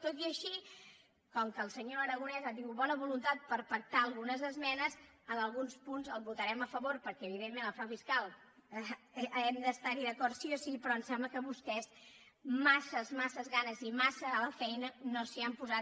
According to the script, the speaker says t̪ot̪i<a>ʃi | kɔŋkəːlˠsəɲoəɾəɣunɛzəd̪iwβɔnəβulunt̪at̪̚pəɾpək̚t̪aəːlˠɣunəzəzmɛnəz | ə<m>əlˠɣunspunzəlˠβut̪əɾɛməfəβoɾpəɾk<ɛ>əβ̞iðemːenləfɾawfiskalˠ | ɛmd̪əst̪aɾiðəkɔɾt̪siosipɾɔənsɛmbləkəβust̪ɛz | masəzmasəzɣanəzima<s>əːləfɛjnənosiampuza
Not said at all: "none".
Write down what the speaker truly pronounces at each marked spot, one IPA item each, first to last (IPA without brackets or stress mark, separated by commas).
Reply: ə, n, ɛ, s